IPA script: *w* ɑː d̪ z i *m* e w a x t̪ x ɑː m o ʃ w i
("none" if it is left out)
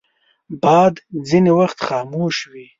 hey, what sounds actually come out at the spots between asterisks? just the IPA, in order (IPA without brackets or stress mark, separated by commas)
b, n